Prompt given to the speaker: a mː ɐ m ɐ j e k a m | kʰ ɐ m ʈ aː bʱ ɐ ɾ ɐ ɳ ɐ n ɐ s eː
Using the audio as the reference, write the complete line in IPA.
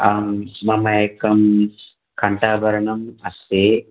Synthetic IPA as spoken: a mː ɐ m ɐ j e k ɐ m | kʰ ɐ ɳ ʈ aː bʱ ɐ ɾ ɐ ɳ ɐ m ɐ s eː